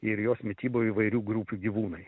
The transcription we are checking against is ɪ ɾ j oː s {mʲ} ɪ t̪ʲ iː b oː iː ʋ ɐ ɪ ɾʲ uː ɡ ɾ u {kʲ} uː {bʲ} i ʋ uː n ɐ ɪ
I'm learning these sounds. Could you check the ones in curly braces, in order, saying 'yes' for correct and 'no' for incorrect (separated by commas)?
yes, no, no